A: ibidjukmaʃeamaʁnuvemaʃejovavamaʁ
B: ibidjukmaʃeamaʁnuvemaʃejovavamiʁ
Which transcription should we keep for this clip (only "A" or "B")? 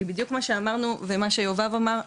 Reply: A